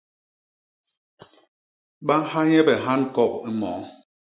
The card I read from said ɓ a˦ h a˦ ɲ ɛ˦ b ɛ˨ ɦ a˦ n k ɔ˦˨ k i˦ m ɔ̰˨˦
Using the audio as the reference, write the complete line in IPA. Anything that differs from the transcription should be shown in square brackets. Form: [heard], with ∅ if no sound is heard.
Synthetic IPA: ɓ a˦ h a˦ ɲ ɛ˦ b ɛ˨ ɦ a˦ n k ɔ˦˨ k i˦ m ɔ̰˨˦